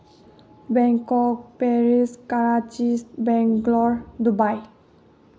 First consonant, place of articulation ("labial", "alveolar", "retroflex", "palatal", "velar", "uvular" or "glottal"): labial